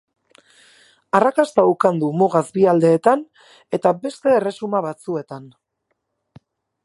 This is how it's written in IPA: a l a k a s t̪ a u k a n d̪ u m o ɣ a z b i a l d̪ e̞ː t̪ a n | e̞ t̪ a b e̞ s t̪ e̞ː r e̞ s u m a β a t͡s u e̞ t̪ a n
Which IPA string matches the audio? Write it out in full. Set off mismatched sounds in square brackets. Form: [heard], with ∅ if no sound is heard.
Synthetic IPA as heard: a [r] a k a s t̪ a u k a n d̪ u m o ɣ a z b i a l d̪ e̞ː t̪ a n | e̞ t̪ a b e̞ s t̪ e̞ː r e̞ s u m a β a t͡s u e̞ t̪ a n

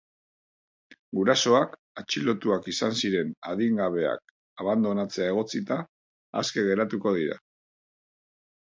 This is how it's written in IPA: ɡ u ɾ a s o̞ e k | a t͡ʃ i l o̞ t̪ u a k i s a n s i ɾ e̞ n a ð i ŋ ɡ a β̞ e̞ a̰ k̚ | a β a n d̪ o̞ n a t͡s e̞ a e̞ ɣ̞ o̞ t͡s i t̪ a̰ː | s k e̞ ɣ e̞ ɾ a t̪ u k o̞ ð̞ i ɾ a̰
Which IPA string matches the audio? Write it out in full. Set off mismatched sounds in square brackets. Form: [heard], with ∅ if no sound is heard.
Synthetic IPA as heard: ɡ u ɾ a s o̞ [a] k | a t͡ʃ i l o̞ t̪ u a k i s a n s i ɾ e̞ n a ð i ŋ ɡ a β̞ e̞ a̰ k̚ | a β a n d̪ o̞ n a t͡s e̞ a e̞ ɣ̞ o̞ t͡s i t̪ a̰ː | s k e̞ ɣ e̞ ɾ a t̪ u k o̞ ð̞ i ɾ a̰

